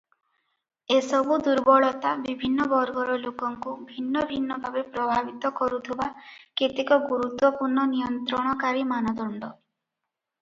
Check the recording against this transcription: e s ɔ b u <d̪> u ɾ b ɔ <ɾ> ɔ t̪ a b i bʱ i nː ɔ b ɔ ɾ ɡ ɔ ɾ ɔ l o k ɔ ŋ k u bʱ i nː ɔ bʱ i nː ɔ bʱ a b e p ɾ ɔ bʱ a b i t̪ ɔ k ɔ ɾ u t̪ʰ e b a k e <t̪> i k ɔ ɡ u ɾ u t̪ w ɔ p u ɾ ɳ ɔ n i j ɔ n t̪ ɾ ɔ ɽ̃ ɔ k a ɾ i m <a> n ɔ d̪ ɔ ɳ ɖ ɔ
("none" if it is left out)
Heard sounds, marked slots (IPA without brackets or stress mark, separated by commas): d̪, ɭ, t̪, a